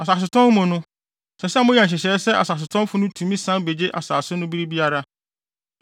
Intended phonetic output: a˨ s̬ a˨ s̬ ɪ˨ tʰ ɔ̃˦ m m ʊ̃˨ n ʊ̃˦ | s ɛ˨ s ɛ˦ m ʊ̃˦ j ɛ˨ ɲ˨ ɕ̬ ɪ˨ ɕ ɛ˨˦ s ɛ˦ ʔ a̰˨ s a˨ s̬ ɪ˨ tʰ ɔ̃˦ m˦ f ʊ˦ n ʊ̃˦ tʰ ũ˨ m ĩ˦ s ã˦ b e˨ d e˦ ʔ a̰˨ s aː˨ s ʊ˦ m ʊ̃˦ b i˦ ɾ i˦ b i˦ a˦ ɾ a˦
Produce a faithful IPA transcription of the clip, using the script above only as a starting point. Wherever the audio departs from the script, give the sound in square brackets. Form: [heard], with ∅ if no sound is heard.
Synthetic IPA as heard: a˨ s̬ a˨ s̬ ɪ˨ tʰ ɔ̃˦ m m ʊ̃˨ n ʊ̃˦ | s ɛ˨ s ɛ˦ m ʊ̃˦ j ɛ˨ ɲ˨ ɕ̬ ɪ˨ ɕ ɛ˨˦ s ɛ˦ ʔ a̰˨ s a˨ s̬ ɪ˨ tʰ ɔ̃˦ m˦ f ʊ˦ n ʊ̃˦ tʰ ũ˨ m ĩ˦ s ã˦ b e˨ [d͡ʑ] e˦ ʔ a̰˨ s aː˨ s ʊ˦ [n] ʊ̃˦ b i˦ ɾ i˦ b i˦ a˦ ɾ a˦